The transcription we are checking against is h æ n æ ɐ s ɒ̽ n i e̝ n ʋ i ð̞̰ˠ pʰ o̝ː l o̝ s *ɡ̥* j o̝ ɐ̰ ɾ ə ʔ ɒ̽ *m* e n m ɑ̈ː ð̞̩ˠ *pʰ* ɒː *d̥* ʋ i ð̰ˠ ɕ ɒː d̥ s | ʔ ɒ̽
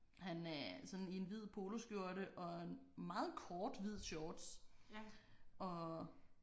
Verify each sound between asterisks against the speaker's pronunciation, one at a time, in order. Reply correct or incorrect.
correct, incorrect: none, incorrect: kʰ, correct

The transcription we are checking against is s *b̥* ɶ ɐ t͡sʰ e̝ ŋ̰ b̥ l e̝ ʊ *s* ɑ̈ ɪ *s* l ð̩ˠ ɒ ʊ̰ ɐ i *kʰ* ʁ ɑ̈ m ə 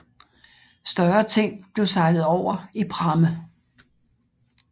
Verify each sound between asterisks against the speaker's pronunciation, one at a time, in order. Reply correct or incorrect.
incorrect: d̥, correct, incorrect: none, incorrect: pʰ

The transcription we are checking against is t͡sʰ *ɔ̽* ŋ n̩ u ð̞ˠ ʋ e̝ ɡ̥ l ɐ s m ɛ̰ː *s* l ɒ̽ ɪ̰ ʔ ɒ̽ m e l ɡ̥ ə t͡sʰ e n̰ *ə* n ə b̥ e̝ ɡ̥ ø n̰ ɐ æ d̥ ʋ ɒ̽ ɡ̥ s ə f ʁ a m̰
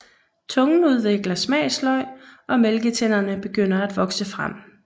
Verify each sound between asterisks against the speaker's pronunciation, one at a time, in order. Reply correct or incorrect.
correct, correct, incorrect: ɐ

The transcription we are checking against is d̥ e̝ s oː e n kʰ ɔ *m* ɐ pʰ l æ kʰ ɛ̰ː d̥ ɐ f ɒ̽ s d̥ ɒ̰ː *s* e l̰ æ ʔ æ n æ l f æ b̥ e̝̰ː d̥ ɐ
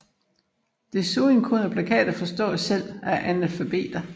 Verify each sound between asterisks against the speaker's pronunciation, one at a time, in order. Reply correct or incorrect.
incorrect: n, correct

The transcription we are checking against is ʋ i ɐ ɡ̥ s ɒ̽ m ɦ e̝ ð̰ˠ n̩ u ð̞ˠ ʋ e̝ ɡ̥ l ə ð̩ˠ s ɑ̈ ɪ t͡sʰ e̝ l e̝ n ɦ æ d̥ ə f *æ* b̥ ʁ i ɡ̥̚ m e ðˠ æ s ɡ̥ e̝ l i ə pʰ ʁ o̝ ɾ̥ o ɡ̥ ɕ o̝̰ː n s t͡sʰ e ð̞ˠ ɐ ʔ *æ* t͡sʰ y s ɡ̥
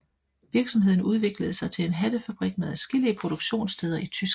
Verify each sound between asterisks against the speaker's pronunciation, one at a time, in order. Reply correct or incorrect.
correct, incorrect: i

